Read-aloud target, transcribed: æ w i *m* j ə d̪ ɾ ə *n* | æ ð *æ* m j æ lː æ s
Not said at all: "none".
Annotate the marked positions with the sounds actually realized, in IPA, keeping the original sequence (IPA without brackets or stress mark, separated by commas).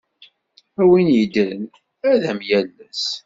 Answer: n, n, æ